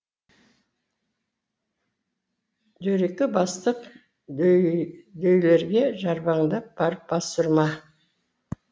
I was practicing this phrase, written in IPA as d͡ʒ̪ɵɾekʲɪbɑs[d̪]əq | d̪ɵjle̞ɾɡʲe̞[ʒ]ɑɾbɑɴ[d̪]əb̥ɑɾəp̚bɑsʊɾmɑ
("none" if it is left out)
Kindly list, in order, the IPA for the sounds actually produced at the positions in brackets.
t̪, ʒ, d̪

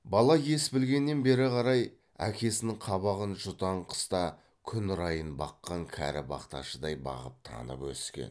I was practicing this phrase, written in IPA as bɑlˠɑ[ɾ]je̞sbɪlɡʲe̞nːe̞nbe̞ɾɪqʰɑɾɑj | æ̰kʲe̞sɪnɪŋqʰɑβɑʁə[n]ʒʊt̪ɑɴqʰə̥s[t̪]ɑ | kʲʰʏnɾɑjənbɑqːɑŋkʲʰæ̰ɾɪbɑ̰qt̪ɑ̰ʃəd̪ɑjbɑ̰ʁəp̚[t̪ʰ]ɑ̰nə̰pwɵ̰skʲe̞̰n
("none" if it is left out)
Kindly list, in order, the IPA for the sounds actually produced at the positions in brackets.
none, n, t̪, t̪ʰ

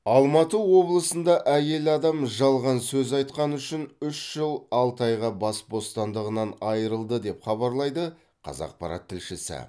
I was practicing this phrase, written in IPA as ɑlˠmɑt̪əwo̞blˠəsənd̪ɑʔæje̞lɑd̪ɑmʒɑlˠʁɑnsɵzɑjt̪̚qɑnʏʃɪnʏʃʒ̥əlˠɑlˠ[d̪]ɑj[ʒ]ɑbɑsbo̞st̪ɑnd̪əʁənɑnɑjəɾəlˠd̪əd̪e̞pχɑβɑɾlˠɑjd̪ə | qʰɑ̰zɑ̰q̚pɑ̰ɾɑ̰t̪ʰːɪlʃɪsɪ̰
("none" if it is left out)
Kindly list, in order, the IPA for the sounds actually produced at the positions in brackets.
t̪, ʁ

